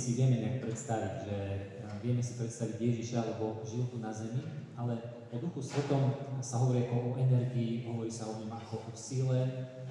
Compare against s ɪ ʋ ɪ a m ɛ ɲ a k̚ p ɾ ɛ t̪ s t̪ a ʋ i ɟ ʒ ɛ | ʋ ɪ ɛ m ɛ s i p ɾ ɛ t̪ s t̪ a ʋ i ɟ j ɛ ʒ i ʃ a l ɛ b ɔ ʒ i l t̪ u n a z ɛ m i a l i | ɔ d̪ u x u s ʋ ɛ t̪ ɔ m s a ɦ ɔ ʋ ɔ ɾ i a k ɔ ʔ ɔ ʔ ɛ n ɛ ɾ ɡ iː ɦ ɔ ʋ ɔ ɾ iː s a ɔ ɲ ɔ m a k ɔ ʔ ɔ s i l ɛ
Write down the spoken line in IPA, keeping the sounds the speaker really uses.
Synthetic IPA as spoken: s i ʋ ɪ ɛ m ɛ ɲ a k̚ p ɾ ɛ t̪ s t̪ a ʋ i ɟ ʒ ɛ | ʋ ɪ ɛ m ɛ s i p ɾ ɛ t̪ s t̪ a ʋ i ɟ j ɛ ʒ i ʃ a l ɛ b ɔ ʒ i l t̪ u n a z ɛ m i a l ɛ | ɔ d̪ u x u s ʋ ɛ t̪ ɔ m s a ɦ ɔ ʋ ɔ ɾ i a k ɔ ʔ ɔ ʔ ɛ n ɛ ɾ ɡ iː ɦ ɔ ʋ ɔ ɾ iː s a ɔ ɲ ɔ m a k ɔ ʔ ɔ s i l ɛ